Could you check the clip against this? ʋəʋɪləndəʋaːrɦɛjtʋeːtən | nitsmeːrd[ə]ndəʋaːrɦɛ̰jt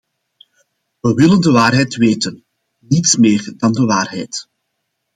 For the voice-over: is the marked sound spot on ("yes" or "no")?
no